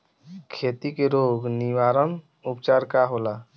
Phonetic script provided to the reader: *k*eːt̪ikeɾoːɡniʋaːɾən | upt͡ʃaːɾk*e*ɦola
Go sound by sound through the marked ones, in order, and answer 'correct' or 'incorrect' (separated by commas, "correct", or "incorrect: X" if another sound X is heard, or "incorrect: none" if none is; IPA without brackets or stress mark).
incorrect: kʰ, incorrect: a